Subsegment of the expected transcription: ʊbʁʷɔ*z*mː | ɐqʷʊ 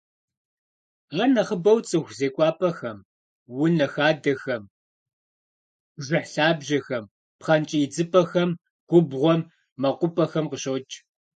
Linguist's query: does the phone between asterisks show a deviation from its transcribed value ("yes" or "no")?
yes